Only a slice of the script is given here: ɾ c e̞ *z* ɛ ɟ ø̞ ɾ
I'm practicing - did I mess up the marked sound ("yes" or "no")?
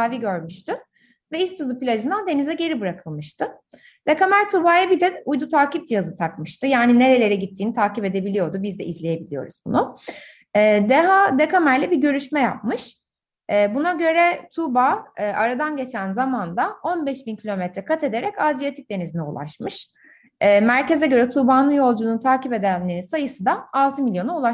no